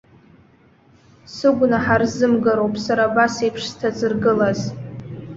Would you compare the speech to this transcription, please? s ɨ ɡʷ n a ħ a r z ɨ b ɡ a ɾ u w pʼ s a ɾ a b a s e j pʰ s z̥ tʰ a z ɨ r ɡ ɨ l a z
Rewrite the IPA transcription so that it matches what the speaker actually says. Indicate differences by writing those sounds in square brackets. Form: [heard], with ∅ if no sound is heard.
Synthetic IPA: s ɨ ɡʷ n a ħ a r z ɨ [m] ɡ a ɾ [o] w pʼ s a ɾ a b a s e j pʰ [ʂ] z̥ tʰ a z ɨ r ɡ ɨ l a z